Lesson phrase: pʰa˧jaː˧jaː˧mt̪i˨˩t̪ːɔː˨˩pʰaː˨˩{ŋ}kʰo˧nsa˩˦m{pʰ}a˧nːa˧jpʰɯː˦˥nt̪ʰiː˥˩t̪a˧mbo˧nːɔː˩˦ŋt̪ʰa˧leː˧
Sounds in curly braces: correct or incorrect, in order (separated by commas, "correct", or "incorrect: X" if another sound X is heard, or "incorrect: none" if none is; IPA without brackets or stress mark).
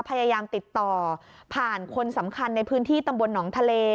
incorrect: n, incorrect: kʰ